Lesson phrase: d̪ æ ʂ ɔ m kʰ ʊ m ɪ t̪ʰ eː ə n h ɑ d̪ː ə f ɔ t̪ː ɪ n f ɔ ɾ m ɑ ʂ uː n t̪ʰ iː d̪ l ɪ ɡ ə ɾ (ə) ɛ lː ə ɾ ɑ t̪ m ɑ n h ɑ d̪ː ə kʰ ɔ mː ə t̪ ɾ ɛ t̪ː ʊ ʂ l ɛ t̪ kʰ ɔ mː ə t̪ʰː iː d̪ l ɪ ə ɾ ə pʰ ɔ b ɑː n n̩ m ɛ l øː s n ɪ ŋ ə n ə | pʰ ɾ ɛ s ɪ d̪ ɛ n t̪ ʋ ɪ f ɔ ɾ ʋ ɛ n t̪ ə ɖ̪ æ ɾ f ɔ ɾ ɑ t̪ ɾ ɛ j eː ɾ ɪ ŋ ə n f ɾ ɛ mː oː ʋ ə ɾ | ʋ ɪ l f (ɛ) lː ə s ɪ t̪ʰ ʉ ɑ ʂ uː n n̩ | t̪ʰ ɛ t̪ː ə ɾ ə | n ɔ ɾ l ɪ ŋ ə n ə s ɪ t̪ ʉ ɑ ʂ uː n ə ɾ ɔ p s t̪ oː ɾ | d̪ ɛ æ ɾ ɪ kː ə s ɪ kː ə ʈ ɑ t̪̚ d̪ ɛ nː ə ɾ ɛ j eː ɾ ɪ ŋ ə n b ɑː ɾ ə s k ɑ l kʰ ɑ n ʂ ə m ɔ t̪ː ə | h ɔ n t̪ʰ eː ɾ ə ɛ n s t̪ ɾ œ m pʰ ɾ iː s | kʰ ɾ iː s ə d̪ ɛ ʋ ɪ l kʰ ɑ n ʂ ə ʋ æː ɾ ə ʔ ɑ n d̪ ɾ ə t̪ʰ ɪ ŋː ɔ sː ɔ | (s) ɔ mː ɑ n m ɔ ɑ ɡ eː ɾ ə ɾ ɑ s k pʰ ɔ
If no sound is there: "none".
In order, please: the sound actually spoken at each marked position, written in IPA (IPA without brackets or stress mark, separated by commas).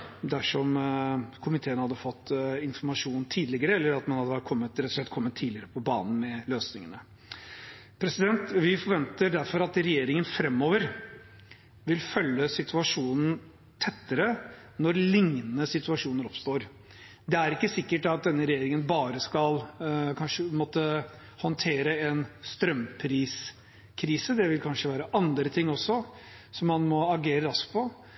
ə, œ, s